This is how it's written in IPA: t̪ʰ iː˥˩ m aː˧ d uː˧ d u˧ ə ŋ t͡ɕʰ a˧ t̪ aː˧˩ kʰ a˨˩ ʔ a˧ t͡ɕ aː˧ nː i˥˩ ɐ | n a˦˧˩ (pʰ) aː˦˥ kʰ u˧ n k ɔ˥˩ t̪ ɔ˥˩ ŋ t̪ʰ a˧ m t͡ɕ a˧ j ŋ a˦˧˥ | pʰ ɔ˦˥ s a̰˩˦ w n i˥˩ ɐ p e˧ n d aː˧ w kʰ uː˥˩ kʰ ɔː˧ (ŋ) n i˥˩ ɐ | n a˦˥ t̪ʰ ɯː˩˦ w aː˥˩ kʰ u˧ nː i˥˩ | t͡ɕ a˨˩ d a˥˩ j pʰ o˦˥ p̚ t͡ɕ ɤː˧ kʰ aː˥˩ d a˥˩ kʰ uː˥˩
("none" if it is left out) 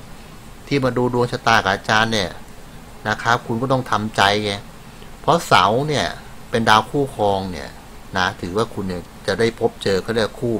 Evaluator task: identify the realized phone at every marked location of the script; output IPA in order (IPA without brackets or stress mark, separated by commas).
kʰ, ŋ